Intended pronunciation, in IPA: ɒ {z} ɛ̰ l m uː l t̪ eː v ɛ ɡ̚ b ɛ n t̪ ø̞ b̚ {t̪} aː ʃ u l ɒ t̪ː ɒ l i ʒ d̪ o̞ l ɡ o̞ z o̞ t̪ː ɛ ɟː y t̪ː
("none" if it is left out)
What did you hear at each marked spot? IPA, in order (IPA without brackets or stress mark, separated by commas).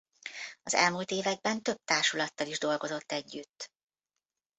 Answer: z, t̪